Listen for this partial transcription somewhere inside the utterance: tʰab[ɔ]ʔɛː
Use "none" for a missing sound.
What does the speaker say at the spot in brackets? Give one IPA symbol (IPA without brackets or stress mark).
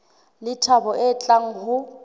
ɔ